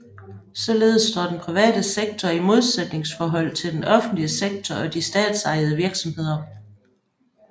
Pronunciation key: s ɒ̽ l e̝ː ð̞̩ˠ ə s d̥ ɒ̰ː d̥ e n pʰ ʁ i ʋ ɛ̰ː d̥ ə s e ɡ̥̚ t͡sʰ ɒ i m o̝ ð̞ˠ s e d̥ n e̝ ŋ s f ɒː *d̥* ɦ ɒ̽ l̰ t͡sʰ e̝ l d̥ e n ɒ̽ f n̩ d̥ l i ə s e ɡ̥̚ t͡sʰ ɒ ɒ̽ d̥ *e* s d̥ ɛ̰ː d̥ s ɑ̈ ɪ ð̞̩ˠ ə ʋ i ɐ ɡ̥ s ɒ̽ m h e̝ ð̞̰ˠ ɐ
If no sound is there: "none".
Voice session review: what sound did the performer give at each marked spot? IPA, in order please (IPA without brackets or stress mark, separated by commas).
none, i